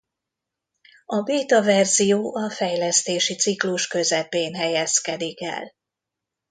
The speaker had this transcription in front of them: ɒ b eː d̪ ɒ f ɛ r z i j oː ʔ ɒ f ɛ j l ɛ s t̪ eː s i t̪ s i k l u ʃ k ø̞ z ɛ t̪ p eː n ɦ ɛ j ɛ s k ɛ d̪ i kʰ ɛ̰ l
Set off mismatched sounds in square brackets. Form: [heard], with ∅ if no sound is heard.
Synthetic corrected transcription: ɒ b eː [t̪] ɒ [v] ɛ r z i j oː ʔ ɒ f ɛ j l ɛ s t̪ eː [ʃ] i t̪ s i k l u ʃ k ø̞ z ɛ [∅] p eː n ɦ ɛ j ɛ s k ɛ d̪ i [k] ɛ̰ l

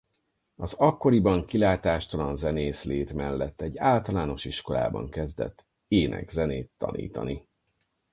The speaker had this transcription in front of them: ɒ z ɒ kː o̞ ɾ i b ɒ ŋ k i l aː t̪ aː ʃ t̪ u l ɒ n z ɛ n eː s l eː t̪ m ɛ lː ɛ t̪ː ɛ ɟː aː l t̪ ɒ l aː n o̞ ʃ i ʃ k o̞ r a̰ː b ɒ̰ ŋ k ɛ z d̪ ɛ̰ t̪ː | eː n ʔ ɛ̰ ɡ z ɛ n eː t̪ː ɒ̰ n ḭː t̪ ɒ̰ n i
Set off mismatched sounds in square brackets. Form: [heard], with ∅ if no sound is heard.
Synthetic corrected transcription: ɒ z ɒ kː o̞ ɾ i b ɒ ŋ k i l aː t̪ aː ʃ t̪ [ɒ] l ɒ n z ɛ n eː s l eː t̪ m ɛ lː ɛ t̪ː ɛ ɟː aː l t̪ ɒ l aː n o̞ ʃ i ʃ k o̞ [l] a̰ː b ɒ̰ ŋ k ɛ z d̪ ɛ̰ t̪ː | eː n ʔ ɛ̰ ɡ z ɛ n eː t̪ː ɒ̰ n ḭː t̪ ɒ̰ n i

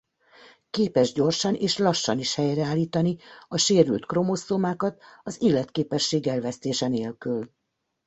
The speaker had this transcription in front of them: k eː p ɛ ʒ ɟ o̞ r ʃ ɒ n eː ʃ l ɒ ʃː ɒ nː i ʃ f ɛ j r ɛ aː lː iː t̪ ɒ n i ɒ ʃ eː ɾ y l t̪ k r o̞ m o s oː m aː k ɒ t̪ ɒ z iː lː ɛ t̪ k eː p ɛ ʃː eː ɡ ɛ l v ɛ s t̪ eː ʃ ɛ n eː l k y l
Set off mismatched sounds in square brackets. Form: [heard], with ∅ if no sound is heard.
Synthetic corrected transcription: k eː p ɛ ʒ ɟ o̞ r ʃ ɒ n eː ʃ l ɒ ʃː ɒ [n] i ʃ [h] ɛ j r ɛ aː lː iː t̪ ɒ n i ɒ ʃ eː ɾ y l t̪ k r o̞ m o s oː m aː k ɒ t̪ ɒ z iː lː ɛ t̪ k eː p ɛ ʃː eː ɡ ɛ l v ɛ s t̪ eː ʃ ɛ n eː l k y l

